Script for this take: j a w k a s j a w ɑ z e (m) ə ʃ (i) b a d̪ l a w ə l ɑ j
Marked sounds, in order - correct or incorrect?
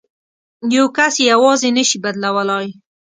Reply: incorrect: n, correct

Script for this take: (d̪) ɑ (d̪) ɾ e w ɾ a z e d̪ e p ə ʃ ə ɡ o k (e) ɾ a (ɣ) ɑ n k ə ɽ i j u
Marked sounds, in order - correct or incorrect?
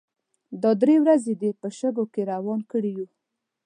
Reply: correct, correct, correct, incorrect: w

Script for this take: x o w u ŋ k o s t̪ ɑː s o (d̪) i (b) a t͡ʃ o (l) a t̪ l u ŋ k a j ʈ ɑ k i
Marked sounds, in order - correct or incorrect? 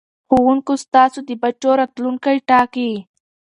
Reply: correct, correct, incorrect: ɾ

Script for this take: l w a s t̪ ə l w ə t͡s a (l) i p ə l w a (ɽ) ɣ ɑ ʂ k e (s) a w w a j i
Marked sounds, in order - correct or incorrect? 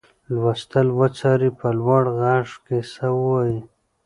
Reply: incorrect: ɾ, correct, correct

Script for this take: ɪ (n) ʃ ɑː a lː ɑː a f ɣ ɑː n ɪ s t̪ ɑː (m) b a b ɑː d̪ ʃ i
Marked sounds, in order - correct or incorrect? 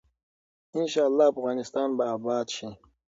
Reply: correct, incorrect: n

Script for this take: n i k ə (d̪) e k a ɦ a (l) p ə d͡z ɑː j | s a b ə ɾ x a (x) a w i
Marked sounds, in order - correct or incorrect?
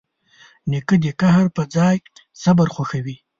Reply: correct, incorrect: ɾ, correct

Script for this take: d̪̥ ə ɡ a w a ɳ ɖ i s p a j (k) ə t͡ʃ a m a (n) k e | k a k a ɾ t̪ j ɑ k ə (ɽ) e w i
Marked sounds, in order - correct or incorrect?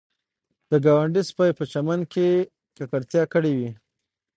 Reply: incorrect: p, correct, correct

